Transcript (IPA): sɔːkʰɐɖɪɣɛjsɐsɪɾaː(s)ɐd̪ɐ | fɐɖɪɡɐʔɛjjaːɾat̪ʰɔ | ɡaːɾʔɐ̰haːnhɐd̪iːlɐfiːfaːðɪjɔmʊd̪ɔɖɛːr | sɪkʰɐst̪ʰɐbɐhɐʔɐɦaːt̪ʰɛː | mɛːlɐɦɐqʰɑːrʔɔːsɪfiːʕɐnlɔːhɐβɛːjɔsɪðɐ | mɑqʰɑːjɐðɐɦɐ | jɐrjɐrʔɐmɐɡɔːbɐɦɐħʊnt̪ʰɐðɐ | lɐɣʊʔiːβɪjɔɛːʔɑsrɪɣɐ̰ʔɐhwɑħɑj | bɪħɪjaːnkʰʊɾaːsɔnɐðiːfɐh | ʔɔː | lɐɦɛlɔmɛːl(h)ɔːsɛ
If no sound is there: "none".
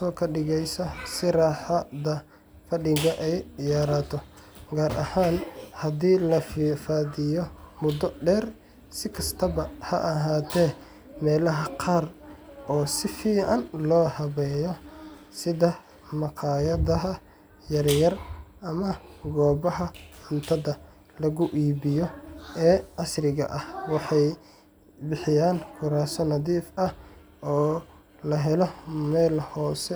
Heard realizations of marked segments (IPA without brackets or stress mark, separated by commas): ħ, h